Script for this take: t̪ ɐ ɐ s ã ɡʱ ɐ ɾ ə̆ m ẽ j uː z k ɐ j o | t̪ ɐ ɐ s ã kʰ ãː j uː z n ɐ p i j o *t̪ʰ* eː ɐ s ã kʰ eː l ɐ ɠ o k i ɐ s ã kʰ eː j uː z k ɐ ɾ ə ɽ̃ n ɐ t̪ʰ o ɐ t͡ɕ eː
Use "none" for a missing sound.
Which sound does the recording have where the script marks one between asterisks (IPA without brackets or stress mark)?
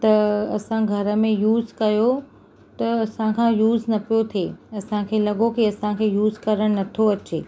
t̪ʰ